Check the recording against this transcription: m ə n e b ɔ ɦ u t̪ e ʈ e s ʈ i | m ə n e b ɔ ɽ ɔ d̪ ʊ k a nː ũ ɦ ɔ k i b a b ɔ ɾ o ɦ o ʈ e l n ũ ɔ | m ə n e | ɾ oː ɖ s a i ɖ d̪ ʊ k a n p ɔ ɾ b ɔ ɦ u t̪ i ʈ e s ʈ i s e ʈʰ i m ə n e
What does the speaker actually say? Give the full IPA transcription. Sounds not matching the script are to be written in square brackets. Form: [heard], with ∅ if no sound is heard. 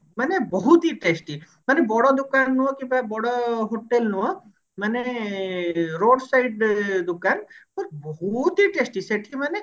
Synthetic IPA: m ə n e b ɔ ɦ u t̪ [i] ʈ e s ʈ i | m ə n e b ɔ ɽ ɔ d̪ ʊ k a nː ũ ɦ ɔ k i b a b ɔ [ɽ] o ɦ o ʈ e l n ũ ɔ | m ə n e | ɾ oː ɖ s a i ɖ d̪ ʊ k a n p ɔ ɾ b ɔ ɦ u t̪ i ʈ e s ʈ i s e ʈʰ i m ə n e